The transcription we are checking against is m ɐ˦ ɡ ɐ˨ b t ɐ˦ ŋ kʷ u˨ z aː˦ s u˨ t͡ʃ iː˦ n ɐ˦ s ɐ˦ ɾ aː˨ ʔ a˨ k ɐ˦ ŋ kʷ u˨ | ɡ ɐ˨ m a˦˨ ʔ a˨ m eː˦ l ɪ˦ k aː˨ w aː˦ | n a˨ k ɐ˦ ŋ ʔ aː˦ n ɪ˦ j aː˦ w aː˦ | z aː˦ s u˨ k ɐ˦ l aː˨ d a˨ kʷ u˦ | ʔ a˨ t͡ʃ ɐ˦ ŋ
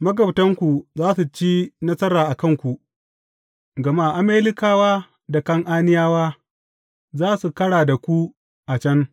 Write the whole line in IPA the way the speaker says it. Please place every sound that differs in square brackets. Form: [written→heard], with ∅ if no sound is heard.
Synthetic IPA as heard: m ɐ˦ ɡ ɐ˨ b t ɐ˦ ŋ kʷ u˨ z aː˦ s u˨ t͡ʃ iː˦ n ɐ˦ s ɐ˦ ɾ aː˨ ʔ a˨ k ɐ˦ ŋ kʷ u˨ | ɡ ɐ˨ m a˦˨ ʔ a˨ m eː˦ l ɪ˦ k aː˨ w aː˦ | [n→d] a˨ k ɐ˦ ŋ ʔ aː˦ n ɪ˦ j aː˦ w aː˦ | z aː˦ s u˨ k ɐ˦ [l→ɽ] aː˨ d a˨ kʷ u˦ | ʔ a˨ t͡ʃ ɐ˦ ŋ